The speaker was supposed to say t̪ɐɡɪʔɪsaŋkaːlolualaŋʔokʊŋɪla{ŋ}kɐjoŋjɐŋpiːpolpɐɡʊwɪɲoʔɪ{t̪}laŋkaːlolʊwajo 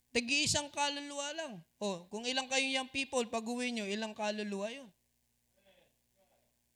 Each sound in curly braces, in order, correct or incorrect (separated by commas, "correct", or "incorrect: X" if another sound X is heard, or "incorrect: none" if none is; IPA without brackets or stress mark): correct, incorrect: none